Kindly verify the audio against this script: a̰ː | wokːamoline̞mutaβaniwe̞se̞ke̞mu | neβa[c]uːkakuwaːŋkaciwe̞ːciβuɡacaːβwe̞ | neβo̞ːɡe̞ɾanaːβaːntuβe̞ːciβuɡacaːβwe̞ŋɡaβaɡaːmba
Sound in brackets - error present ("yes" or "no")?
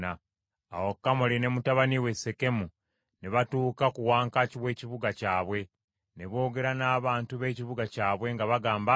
yes